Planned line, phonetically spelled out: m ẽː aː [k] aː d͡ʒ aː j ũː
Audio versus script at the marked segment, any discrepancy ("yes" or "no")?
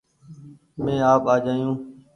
yes